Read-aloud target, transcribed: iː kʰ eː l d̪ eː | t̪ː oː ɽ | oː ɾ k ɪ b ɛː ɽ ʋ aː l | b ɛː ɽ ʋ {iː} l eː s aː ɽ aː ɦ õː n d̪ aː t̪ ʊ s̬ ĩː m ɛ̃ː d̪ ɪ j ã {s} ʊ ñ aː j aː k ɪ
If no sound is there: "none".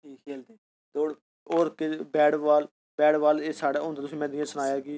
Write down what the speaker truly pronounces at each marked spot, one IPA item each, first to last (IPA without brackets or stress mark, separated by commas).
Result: aː, s